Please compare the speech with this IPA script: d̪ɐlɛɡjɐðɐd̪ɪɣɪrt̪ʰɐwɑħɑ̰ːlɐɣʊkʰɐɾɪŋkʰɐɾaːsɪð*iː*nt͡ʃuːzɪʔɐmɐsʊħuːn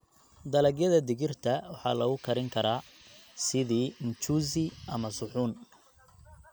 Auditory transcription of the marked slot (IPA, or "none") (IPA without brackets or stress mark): iː